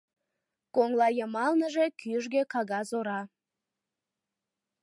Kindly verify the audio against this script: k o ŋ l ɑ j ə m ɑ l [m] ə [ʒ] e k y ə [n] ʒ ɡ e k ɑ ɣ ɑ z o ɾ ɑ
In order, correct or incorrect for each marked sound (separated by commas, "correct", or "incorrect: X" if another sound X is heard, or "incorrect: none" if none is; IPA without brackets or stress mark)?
incorrect: n, correct, incorrect: none